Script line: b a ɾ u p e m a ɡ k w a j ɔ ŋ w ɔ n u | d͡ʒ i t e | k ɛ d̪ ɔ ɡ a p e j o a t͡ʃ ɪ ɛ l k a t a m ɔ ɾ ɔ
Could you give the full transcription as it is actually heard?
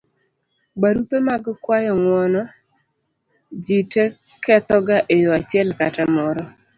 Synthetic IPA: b a ɾ u p e m a ɡ k w a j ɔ ŋ w ɔ n ɔ | d͡ʒ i t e | k ɛ t̪ ɔ ɡ a ʔ e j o a t͡ʃ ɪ ɛ l k a t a m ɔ ɾ ɔ